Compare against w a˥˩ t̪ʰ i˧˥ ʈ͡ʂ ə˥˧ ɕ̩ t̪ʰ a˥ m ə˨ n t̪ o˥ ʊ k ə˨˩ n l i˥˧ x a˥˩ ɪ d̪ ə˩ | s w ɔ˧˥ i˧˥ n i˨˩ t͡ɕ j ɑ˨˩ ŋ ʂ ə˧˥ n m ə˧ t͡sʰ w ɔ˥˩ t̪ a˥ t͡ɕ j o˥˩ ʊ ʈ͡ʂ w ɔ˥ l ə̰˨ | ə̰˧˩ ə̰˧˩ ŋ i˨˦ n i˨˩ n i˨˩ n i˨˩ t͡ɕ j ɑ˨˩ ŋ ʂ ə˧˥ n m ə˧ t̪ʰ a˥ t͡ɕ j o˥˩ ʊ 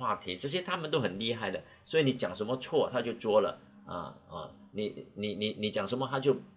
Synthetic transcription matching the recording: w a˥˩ t̪ʰ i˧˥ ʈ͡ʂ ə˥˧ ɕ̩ t̪ʰ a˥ m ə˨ n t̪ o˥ ʊ x ə˨˩ n l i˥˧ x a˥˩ ɪ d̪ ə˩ | s w ɔ˧˥ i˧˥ n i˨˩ t͡ɕ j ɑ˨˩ ŋ ʂ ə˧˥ n m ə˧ t͡sʰ w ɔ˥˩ t̪ʰ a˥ t͡ɕ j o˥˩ ʊ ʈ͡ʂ w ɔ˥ l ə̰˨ | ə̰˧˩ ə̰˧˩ n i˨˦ n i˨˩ n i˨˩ n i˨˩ t͡ɕ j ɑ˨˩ ŋ ʂ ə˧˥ n m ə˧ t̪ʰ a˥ t͡ɕ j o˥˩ ʊ